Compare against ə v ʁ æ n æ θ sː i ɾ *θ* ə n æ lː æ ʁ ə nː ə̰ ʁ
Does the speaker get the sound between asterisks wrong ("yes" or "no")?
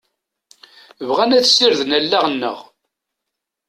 yes